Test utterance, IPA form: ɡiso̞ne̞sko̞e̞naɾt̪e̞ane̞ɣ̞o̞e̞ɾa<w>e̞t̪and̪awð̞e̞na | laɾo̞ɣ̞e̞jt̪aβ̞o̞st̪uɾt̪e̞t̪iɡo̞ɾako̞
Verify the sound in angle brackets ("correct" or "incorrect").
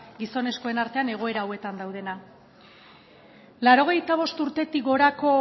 correct